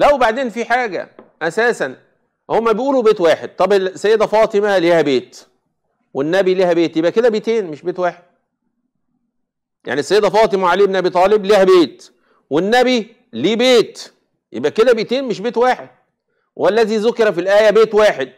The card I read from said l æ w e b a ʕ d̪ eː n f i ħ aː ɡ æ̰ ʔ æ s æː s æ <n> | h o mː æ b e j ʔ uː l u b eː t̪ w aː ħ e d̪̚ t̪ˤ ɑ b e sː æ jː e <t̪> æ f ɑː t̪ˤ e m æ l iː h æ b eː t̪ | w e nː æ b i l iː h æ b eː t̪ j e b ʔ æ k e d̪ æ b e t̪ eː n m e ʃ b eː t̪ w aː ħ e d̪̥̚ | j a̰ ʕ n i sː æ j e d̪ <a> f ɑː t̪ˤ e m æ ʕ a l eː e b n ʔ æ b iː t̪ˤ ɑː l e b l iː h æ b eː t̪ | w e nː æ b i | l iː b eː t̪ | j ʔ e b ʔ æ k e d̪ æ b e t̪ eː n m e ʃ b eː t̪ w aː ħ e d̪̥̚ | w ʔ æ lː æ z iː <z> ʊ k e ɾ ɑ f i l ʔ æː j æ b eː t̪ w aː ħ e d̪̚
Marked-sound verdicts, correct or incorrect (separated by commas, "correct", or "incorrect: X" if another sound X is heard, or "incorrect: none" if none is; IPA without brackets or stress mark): correct, incorrect: d̪, incorrect: æ, correct